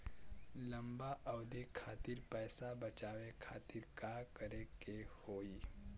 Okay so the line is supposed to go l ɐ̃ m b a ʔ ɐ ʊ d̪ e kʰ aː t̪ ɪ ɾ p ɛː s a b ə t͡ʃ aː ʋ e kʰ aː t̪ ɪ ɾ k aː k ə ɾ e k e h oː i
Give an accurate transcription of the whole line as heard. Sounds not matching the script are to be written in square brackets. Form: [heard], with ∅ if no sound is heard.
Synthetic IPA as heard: l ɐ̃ m b a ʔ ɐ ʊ d̪ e kʰ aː t̪ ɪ ɾ p ɛː s a b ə t͡ʃ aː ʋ e kʰ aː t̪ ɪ ɾ k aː k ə ɾ e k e h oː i